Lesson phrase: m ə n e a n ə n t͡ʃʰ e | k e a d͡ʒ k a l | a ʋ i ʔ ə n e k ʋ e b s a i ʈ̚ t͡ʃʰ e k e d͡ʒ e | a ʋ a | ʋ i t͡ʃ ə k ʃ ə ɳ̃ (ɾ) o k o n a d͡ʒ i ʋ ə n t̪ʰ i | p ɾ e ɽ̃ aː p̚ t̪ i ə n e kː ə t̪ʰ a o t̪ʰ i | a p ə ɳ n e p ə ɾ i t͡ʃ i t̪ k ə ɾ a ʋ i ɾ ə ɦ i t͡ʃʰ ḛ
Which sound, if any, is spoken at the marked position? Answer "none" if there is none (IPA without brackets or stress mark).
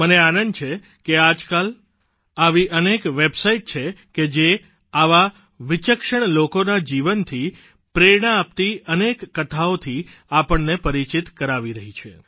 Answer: l